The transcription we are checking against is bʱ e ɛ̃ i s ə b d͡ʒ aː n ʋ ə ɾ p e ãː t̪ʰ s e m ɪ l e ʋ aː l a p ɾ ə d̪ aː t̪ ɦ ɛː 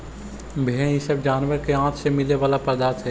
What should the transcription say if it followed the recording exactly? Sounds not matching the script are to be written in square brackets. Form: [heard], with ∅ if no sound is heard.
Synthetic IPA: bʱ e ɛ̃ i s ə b d͡ʒ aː n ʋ ə ɾ [k] e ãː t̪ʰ s e m ɪ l e ʋ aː l a p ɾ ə d̪ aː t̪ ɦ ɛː